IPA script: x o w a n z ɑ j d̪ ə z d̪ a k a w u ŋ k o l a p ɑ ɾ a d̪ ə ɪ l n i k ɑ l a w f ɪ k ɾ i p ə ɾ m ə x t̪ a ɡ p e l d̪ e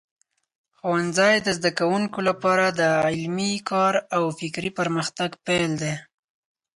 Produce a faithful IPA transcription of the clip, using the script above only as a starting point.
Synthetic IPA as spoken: x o w a n z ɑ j d̪ ə z d̪ a k a w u ŋ k o l a p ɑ ɾ a d̪ ə ɪ l m i k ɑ ɾ a w f ɪ k ɾ i p ə ɾ m ə x t̪ a ɡ p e l d̪ e